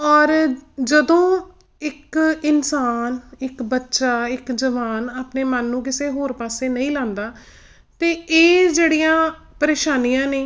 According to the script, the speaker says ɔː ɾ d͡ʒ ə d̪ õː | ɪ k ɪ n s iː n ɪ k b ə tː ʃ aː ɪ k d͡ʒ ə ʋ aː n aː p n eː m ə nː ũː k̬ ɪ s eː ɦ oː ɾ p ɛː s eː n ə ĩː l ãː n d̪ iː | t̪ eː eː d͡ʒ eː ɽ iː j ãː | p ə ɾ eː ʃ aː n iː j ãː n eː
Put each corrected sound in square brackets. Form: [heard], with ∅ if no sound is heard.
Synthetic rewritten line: ɔː ɾ d͡ʒ ə d̪ õː | ɪ k ɪ n s [aː] n ɪ k b ə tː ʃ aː ɪ k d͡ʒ ə ʋ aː n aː p n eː m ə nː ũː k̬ ɪ s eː ɦ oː ɾ p [aː] s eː n ə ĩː l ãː n d̪ [aː] | t̪ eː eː d͡ʒ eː ɽ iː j ãː | p ə ɾ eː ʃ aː n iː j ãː n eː

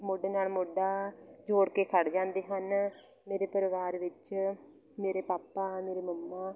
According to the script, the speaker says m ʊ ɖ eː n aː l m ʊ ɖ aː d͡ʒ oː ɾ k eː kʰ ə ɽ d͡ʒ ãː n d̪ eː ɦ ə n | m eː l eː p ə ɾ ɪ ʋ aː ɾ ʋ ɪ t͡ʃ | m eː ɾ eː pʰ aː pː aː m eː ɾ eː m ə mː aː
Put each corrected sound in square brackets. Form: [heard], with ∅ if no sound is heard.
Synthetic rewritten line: m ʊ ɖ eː n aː l m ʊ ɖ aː d͡ʒ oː [ɽ] k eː kʰ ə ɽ d͡ʒ ãː n d̪ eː ɦ ə n | m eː [ɾ] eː p ə ɾ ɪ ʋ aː ɾ ʋ ɪ t͡ʃ | m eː ɾ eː [p] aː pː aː m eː ɾ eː m ə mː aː

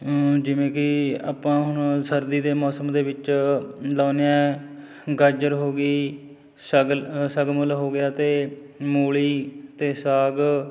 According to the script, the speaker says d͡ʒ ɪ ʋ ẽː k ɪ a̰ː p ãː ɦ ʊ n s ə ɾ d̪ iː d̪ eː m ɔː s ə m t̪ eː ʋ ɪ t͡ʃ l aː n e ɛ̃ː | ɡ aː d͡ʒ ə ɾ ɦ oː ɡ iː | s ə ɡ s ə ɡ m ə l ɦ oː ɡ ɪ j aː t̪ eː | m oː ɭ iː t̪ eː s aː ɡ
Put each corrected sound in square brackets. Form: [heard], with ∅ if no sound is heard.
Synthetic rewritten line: d͡ʒ ɪ ʋ ẽː k ɪ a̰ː p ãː ɦ ʊ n s ə ɾ d̪ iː d̪ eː m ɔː s ə m [d̪] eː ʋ ɪ t͡ʃ l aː n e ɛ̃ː | ɡ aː d͡ʒ ə ɾ ɦ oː ɡ iː | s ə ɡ s ə ɡ m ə l ɦ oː ɡ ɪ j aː t̪ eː | m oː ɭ iː t̪ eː s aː ɡ

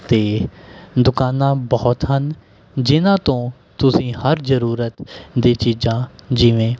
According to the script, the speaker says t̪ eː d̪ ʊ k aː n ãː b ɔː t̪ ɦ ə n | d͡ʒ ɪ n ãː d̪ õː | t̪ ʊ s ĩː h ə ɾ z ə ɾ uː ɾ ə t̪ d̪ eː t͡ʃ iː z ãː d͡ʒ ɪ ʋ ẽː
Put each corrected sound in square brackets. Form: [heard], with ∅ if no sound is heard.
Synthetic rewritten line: t̪ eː d̪ ʊ k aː n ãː b ɔː t̪ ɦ ə n | d͡ʒ ɪ n ãː [t̪] õː | t̪ ʊ s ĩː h ə ɾ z ə ɾ uː ɾ ə t̪ d̪ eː t͡ʃ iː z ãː d͡ʒ ɪ ʋ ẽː

